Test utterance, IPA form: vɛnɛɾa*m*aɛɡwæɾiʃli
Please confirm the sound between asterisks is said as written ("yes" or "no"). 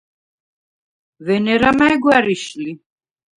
yes